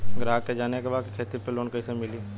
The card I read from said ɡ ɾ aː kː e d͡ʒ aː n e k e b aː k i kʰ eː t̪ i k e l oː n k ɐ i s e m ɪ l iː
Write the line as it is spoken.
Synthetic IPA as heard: ɡ ɾ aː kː e d͡ʒ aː n e k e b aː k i kʰ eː t̪ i p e l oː n k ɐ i s e m ɪ l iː